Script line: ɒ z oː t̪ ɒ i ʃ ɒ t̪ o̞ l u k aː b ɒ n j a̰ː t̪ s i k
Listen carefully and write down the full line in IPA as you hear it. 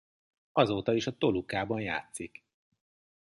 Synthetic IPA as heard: ɒ z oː t̪ ɒ i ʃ ɒ t̪ o̞ l u k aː b ɒ n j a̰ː t̪ s i k